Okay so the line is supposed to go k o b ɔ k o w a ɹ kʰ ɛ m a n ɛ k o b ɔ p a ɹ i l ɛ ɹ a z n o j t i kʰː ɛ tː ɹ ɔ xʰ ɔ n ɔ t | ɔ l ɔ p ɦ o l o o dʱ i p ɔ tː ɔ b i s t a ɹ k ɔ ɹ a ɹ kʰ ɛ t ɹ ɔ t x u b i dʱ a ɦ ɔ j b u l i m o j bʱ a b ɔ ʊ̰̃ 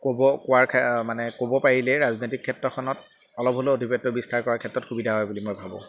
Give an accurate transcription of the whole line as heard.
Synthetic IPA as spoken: k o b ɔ k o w a ɹ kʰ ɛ m a n ɛ k o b ɔ p a ɹ i l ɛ ɹ a z n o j t i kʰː ɛ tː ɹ ɔ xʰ ɔ n ɔ t | ɔ l ɔ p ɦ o l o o dʱ i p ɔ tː ɔ b i s t a ɹ k ɔ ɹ a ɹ kʰ ɛ t ɹ ɔ t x u b i dʱ a ɦ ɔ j b u l i m o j bʱ a b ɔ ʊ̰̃